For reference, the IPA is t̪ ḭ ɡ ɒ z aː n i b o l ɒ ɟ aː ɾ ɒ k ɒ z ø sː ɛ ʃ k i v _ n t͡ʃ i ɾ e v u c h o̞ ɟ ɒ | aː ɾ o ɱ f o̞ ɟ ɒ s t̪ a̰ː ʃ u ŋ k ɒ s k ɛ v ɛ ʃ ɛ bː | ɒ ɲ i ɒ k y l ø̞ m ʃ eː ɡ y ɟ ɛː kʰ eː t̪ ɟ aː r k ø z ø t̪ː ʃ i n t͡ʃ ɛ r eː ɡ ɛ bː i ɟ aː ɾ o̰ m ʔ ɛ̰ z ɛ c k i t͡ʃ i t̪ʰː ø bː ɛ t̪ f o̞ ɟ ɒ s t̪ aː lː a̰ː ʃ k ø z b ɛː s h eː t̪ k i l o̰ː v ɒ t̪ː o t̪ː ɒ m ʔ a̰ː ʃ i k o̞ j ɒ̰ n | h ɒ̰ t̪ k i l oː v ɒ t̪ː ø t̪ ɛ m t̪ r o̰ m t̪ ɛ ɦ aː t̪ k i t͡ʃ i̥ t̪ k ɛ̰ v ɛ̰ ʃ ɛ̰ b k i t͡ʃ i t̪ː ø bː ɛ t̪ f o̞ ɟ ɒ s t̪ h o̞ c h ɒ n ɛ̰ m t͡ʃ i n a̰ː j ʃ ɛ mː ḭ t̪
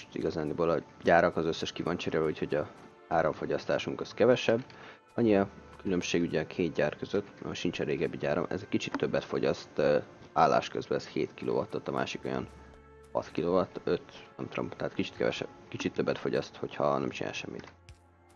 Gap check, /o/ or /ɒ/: ɒ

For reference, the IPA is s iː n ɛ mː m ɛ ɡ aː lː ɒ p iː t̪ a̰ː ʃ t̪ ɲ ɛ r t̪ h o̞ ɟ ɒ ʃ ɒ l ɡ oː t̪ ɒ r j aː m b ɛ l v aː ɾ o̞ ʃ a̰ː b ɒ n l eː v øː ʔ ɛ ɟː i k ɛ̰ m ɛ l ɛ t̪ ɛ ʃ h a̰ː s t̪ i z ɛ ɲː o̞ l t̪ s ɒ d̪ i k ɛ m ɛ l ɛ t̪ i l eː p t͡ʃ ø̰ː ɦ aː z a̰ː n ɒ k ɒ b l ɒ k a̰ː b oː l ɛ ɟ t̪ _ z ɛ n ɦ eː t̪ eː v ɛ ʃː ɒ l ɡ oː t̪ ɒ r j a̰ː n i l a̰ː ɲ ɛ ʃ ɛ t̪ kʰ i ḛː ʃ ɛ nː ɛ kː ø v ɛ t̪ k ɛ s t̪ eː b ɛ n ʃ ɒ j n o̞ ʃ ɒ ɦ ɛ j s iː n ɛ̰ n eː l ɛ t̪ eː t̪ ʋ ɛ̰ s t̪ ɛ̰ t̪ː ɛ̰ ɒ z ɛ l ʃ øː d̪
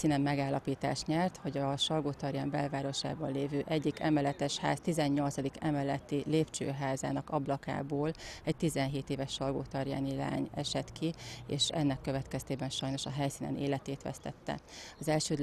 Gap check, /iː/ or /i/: i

